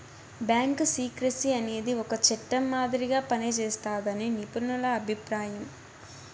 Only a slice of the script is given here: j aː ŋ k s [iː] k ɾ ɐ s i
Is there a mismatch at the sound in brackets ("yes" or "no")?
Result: no